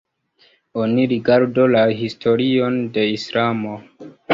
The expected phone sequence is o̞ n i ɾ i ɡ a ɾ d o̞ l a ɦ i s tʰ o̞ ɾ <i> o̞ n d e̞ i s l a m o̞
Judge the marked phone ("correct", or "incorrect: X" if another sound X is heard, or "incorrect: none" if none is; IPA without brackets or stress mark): correct